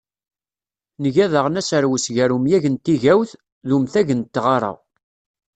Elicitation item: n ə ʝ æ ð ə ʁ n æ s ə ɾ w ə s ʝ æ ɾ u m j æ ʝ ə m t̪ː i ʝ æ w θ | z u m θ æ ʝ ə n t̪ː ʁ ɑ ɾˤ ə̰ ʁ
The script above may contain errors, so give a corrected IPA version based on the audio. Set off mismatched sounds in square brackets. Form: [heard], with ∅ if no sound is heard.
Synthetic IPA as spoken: n ə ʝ æ ð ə ʁ n æ s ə ɾ w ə s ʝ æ ɾ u m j æ ʝ ə [n] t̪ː i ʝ æ w θ | [ð] u m θ æ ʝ ə n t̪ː ʁ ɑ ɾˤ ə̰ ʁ